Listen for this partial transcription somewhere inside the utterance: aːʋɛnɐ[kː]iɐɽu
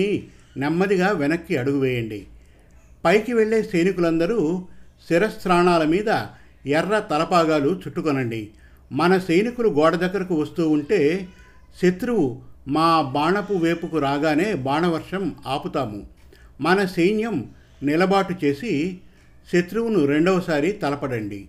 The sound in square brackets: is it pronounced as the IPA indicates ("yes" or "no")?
yes